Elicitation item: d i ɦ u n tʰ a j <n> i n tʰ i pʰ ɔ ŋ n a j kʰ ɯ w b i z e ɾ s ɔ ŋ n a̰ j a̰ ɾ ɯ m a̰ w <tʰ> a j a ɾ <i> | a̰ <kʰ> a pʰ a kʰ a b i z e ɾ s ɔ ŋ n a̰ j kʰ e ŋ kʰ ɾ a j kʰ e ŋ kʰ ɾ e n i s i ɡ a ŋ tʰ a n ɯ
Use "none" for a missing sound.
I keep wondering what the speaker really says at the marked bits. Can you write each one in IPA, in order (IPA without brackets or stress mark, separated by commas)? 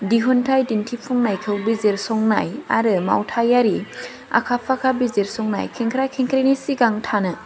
d, tʰ, i, kʰ